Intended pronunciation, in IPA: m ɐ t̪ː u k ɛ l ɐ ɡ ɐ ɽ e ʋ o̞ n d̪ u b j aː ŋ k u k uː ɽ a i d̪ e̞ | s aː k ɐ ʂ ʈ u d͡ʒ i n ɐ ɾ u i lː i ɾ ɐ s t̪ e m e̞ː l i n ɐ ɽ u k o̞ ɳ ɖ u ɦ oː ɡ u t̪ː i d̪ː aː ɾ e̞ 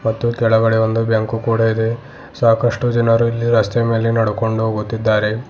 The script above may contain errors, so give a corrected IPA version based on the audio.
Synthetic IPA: m ɐ t̪ː u k ɛ ɭ ɐ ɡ ɐ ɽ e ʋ o̞ n d̪ u b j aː ŋ k u k uː ɽ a i d̪ e̞ | s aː k ɐ ʂ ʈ u d͡ʒ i n ɐ ɾ u i lː i ɾ ɐ s t̪ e m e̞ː l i n ɐ ɽ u k o̞ ɳ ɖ u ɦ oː ɡ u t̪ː i d̪ː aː ɾ e̞